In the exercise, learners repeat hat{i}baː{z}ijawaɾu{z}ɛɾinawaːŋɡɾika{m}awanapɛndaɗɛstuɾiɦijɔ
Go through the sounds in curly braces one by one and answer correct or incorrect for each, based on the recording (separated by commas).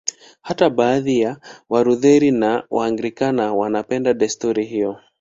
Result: incorrect, incorrect, incorrect, incorrect